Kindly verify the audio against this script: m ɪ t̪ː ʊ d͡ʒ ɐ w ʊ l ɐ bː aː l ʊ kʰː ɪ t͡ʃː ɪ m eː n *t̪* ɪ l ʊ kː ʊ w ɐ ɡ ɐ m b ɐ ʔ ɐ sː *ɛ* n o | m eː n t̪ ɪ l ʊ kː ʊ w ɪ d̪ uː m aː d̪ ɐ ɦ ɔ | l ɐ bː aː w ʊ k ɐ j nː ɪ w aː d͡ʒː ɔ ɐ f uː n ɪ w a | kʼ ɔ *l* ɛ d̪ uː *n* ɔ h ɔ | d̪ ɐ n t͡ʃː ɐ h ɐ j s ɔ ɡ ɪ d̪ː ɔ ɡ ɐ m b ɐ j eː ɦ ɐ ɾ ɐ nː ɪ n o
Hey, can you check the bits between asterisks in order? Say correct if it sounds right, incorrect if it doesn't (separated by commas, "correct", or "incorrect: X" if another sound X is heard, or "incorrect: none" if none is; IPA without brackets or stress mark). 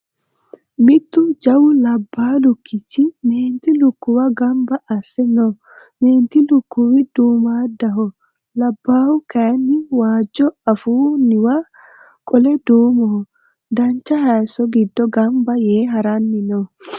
correct, correct, correct, incorrect: m